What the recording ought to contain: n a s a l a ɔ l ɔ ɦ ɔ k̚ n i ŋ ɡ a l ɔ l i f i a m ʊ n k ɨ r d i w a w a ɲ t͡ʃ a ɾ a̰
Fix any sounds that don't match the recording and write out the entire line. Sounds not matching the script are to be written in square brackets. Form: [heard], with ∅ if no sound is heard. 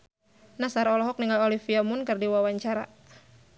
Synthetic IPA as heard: n a s a [ɾ] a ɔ l ɔ ɦ ɔ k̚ n i ŋ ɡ a l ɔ l i f i a m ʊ n k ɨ r d i w a w a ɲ t͡ʃ a ɾ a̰